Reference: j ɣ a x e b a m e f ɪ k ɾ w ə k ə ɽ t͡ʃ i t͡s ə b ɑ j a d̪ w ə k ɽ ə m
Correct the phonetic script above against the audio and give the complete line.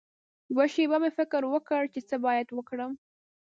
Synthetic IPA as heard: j w a ʃ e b a m e f ɪ k ɾ w ə k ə ɽ t͡ʃ e t͡s ə b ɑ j a d̪ w ə k ɽ ə m